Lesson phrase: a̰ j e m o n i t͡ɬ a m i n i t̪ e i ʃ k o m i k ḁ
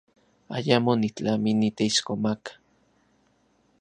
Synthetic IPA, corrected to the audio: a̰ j a m o n i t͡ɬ a m i n i t̪ e i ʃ k o m a k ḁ